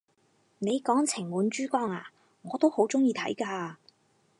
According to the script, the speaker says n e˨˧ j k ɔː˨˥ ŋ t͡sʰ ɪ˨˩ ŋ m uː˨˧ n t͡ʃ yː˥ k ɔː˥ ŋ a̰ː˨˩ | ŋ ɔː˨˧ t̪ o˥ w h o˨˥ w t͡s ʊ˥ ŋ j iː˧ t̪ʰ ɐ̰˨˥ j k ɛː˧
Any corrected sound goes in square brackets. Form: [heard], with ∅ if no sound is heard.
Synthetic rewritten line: n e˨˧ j k ɔː˨˥ ŋ t͡sʰ ɪ˨˩ ŋ m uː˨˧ n t͡ʃ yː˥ k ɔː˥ ŋ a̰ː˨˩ | ŋ ɔː˨˧ t̪ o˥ w h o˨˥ w t͡s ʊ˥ ŋ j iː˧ t̪ʰ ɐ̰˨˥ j k [aː˧]